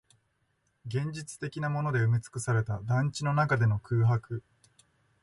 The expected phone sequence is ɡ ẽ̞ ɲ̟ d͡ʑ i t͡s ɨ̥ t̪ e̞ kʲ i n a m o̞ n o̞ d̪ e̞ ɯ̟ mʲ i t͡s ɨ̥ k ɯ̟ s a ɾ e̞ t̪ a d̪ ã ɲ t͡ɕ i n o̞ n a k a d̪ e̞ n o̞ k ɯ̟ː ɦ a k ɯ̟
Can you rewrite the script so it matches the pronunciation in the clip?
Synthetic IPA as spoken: ɡ ẽ̞ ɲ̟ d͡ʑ i t͡s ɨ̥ t̪ e̞ kʲ i n a m o̞ n o̞ d̪ e̞ ɯ̟ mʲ i t͡s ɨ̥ k ɯ̟ s a ɾ e̞ t̪ a d̪ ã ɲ t͡ɕ i n o̞ n a k a d̪ e̞ n o̞ k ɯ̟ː ɦ a k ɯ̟